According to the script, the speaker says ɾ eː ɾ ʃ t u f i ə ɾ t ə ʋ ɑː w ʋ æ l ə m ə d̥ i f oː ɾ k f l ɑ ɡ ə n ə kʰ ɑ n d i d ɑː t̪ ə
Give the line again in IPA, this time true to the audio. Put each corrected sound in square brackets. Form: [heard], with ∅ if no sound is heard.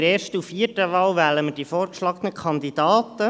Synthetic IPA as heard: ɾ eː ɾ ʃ t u f i ə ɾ t ə ʋ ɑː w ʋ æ l ə m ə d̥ i f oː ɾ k [ʃ] l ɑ ɡ ə n ə kʰ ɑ n d i d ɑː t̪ ə